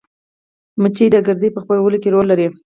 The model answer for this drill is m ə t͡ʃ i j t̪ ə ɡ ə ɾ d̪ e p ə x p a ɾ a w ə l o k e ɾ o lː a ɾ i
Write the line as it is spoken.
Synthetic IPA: m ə t͡ʃ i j d̪ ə ɡ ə ɾ d̪ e p ə x p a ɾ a w ə l o k e ɾ o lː a ɾ i